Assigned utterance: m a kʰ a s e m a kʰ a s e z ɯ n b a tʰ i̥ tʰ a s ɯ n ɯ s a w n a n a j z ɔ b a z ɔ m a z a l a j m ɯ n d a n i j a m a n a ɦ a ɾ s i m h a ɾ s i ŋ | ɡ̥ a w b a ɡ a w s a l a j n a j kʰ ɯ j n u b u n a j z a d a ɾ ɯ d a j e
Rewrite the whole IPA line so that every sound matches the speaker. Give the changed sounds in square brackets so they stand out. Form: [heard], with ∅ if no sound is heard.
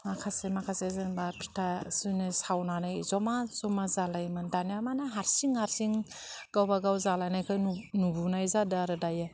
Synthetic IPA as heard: m a kʰ a s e m a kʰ a s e z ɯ n b a [pʰ] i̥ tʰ a s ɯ n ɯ s a w n a n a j z ɔ [m] a z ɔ m a z a l a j m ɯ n d a n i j a m a n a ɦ a ɾ s i [ŋ] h a ɾ s i ŋ | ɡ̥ a w b a ɡ a w [z] a l a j n a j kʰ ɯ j n u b u n a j z a d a ɾ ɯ d a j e